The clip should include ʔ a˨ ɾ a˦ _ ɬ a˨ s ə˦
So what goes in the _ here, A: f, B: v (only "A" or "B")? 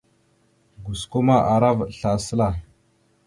B